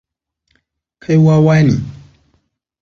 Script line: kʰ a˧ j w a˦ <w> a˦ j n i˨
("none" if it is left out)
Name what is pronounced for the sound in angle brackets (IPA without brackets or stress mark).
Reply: w